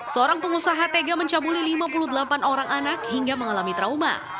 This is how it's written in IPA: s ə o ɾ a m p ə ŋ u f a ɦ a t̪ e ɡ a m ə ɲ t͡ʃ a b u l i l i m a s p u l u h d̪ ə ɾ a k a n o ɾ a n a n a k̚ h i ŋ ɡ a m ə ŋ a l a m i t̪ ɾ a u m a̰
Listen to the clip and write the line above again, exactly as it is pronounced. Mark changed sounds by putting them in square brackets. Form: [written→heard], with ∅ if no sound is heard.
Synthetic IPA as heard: s ə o ɾ a [m→ŋ] p ə ŋ u [f→s] a ɦ a t̪ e ɡ a m ə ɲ t͡ʃ a b u l i l i m a [s→∅] p u l u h d̪ ə [ɾ→l] a [k→p] a n o ɾ a [n→ŋ] a n a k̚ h i ŋ ɡ a m ə ŋ a l a m i t̪ ɾ a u m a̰